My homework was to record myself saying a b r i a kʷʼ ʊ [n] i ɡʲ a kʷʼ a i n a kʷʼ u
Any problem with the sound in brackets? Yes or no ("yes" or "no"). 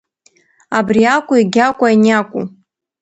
yes